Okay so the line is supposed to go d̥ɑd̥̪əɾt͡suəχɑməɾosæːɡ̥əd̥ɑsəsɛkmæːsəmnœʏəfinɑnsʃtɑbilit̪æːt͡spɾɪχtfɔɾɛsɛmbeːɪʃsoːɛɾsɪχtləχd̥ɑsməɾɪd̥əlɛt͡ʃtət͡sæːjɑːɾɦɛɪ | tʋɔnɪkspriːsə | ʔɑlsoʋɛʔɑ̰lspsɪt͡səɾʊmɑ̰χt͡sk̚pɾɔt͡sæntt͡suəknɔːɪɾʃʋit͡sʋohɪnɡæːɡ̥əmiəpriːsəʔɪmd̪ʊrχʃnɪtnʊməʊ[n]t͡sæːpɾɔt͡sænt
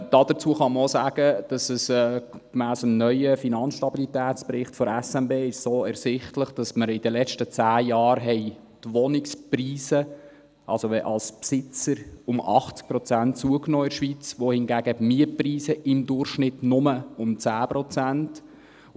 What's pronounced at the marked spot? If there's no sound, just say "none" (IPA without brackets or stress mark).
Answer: m